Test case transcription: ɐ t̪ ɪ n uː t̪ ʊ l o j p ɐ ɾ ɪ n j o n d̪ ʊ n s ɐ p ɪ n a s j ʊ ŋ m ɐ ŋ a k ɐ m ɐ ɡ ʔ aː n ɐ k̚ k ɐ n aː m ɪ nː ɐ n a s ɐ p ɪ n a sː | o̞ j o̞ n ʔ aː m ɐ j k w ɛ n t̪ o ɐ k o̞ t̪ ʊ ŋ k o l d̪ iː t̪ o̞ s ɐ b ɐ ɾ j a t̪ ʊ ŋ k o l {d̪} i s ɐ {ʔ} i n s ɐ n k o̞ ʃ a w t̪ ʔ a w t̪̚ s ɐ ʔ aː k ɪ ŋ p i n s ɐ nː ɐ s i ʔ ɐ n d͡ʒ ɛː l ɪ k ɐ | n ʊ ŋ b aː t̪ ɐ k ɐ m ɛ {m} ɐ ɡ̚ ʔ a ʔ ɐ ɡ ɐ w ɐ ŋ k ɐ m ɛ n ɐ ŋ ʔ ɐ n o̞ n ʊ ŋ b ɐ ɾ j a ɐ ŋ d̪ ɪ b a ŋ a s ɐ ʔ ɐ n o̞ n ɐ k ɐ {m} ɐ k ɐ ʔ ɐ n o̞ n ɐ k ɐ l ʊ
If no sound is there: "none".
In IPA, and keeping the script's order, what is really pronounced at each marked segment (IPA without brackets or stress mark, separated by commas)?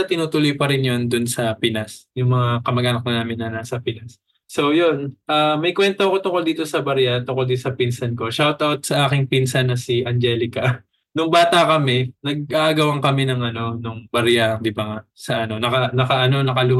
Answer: d̪, p, n, n